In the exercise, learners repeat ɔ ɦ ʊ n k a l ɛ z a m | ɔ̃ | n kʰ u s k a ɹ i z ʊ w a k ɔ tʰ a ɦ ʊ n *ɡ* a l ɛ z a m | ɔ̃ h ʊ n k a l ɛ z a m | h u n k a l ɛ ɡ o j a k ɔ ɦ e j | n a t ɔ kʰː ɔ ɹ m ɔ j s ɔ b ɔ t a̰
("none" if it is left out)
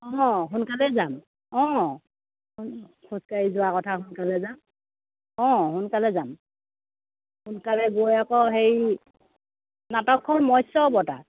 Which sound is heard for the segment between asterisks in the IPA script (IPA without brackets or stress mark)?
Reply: k